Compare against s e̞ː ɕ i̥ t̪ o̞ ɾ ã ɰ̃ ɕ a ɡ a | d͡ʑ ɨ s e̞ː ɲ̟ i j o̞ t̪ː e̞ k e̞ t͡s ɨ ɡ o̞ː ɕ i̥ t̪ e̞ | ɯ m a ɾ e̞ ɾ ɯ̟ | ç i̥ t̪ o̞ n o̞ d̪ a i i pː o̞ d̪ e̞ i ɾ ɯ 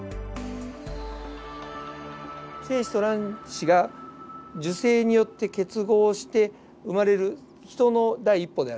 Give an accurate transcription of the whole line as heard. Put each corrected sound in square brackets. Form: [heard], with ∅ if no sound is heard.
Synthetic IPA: s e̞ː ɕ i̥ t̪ o̞ ɾ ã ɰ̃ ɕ [i] ɡ a | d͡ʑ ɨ s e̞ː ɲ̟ i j o̞ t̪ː e̞ k e̞ t͡s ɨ ɡ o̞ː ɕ i̥ t̪ e̞ | ɯ m a ɾ e̞ ɾ ɯ̟ | ç i̥ t̪ o̞ n o̞ d̪ a i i pː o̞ d̪ e̞ [a] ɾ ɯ